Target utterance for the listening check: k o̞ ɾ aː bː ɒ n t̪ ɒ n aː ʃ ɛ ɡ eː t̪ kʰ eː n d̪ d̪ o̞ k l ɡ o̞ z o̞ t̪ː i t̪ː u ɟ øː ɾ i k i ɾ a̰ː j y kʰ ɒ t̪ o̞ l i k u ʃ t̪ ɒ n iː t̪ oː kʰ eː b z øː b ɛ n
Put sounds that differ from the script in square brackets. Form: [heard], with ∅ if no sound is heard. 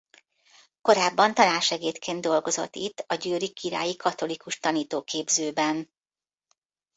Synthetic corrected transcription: k o̞ ɾ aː bː ɒ n t̪ ɒ n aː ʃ ɛ ɡ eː t̪ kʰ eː n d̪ d̪ o̞ [∅] l ɡ o̞ z o̞ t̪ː i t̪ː [ɒ] ɟ øː ɾ i k i ɾ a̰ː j [i] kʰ ɒ t̪ o̞ l i k u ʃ t̪ ɒ n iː t̪ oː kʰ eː b z øː b ɛ n